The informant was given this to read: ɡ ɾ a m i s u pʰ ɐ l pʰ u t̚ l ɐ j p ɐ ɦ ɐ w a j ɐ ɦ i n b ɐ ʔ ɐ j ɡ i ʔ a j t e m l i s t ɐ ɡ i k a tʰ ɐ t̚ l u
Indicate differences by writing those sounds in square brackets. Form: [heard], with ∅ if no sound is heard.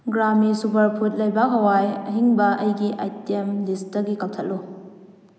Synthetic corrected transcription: ɡ ɾ a m i s u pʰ ɐ [ɾ] pʰ u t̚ l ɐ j [b] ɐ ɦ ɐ w a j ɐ ɦ i [ŋ] b ɐ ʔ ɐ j ɡ i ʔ a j t e m l i s t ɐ ɡ i k a tʰ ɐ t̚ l u